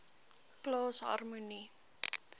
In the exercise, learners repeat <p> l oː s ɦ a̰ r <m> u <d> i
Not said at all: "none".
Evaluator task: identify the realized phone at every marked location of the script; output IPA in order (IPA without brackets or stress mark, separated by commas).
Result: k, m, n